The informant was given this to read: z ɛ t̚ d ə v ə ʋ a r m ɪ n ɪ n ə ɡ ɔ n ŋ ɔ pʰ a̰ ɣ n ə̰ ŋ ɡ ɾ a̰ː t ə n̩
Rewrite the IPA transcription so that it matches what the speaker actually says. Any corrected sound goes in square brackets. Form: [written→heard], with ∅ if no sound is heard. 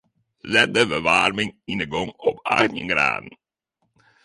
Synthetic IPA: z ɛ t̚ d ə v ə ʋ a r m ɪ [n→ŋ] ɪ n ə ɡ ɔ [n→∅] ŋ ɔ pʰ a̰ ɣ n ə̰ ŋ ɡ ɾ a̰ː [t→d] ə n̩